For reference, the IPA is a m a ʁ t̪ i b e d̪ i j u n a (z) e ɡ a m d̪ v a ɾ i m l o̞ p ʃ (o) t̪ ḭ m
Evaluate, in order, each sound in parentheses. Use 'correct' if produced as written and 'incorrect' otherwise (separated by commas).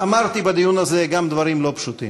correct, incorrect